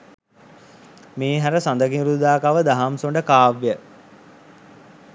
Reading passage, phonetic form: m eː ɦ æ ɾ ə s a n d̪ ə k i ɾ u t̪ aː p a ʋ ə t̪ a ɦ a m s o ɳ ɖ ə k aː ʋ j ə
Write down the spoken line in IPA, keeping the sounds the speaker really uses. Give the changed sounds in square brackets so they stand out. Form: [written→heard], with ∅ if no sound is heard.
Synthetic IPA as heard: m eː ɦ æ ɾ ə s a n d̪ ə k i ɾ u [t̪→d̪] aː [p→k] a ʋ ə [t̪→d̪] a ɦ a m s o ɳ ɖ ə k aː ʋ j ə